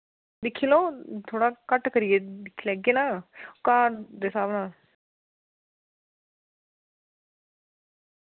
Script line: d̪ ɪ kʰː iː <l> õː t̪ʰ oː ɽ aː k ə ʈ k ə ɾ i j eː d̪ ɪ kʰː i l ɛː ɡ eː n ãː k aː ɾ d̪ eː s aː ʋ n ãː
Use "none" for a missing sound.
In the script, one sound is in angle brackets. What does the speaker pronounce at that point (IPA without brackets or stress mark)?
l